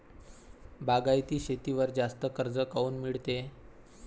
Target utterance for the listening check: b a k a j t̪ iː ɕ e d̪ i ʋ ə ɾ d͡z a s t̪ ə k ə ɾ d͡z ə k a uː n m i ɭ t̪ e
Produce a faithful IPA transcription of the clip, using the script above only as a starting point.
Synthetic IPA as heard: b a ɡ a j t̪ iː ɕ e t̪ i ʋ ə ɾ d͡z a s t̪ ə k ə ɾ d͡z ə k a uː n m i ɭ t̪ e